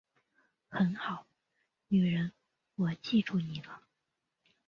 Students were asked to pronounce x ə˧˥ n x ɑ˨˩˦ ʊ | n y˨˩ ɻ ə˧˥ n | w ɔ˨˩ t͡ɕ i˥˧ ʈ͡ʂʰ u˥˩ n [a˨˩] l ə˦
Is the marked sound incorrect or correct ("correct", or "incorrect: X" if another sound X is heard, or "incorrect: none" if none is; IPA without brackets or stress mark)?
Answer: incorrect: i˨˩